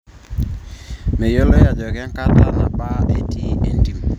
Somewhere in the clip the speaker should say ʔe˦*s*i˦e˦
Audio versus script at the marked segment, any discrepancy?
yes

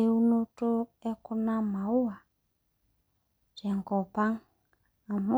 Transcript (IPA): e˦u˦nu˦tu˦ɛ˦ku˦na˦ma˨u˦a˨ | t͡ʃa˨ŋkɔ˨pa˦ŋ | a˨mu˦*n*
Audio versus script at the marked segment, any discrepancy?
yes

